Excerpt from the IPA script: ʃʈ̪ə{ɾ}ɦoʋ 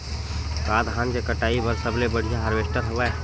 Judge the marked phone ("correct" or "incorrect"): correct